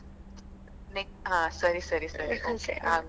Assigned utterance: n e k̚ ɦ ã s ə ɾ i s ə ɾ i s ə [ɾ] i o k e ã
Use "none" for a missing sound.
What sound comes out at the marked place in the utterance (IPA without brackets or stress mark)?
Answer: ɾ